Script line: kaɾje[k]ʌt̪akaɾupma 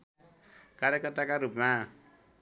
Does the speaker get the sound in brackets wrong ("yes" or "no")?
no